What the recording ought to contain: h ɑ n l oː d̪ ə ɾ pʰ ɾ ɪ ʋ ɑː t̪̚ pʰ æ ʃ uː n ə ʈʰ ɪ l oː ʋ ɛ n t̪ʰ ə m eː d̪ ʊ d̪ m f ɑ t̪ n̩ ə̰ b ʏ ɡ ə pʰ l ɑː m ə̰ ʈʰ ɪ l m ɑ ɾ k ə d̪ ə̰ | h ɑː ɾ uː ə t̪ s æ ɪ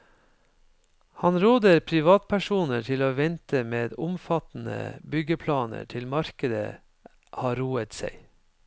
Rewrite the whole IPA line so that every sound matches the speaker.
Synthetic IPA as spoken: h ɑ n ɾ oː d̪ ə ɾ pʰ ɾ ɪ ʋ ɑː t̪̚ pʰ æ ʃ uː n ə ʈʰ ɪ l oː ʋ ɛ n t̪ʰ ə m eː d̪ ʊ m f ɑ t̪ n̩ ə̰ b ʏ ɡ ə pʰ l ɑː n ə̰ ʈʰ ɪ l m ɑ ɾ k ə d̪ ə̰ | h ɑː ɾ uː ə t̪ s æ ɪ